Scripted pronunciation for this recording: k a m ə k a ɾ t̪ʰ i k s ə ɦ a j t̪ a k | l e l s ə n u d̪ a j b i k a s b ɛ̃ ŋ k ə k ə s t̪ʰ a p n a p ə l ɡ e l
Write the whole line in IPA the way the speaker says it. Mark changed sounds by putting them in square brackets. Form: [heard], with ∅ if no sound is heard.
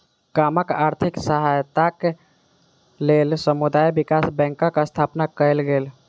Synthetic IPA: k a m ə k a ɾ t̪ʰ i k s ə ɦ a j t̪ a k | l e l s ə [m] u d̪ a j b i k a s b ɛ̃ ŋ k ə k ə s t̪ʰ a p n a [k] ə l ɡ e l